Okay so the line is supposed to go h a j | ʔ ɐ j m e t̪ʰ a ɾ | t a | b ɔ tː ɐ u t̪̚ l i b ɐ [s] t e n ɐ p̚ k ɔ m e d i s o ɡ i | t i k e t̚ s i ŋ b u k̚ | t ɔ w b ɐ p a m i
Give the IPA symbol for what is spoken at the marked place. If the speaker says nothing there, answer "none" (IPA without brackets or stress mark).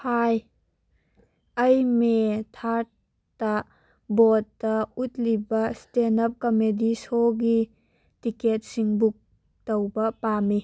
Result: s